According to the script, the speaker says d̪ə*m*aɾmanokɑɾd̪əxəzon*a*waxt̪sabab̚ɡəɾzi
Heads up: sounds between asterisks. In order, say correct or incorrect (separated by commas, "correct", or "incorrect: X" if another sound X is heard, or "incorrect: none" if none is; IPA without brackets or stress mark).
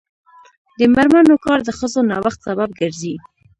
correct, incorrect: ɑ